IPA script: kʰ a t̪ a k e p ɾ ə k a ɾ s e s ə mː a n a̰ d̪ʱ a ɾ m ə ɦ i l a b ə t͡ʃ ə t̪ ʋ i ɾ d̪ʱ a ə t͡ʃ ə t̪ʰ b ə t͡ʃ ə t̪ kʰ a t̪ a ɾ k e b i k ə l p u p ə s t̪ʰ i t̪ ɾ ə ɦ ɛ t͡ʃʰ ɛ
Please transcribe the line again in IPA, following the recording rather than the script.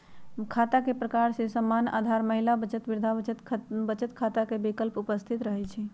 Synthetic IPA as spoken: kʰ a t̪ a k e p ɾ ə k a ɾ s e s ə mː a n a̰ d̪ʱ a ɾ m ə ɦ i l a b ə t͡ʃ ə t̪ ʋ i ɾ d̪ʱ a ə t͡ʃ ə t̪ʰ b ə t͡ʃ ə t̪ kʰ a t̪ a k e b i k ə l p u p ə s t̪ʰ i t̪ ɾ ə ɦ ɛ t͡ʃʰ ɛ